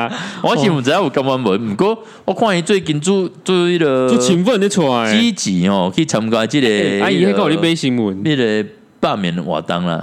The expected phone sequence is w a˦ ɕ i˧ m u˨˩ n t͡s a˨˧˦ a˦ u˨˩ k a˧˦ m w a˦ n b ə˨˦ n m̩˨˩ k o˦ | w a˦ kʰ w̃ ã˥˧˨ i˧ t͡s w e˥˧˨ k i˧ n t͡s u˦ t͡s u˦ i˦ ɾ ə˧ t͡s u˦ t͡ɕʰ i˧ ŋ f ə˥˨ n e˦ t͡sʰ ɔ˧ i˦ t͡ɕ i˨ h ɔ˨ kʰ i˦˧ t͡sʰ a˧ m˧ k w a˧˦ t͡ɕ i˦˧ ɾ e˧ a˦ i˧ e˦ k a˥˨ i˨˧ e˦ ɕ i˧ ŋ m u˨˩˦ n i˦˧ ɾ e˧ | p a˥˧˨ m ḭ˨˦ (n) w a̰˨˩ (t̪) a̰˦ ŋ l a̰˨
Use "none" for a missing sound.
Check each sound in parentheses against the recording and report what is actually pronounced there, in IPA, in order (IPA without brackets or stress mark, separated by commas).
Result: n, t̪